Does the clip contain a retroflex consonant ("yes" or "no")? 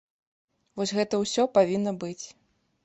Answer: no